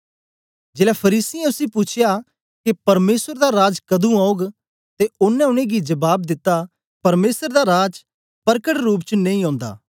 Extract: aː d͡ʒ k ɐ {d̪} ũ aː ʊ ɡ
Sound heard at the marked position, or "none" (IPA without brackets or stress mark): d̪